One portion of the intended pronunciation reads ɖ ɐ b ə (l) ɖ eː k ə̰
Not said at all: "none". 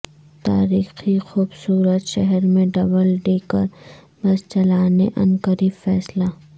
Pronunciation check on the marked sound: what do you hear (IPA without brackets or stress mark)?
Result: l